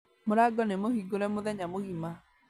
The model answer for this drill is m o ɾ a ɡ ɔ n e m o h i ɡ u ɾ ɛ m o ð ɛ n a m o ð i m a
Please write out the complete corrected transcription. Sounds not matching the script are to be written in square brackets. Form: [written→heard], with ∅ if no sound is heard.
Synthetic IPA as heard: m o ɾ a ɡ ɔ n e m o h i ɡ [u→o] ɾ ɛ m o ð ɛ [n→ɲ] a m o [ð→ɣ] i m a